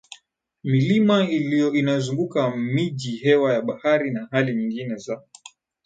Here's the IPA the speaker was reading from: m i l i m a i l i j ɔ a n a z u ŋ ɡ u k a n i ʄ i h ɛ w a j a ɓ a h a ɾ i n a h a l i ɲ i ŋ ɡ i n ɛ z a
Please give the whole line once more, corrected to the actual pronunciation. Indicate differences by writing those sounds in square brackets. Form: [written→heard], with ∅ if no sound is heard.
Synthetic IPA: m i l i m a i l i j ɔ [a→i] n a z u ŋ ɡ u k a [n→m] i ʄ i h ɛ w a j a ɓ a h a ɾ i n a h a l i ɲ i ŋ ɡ i n ɛ z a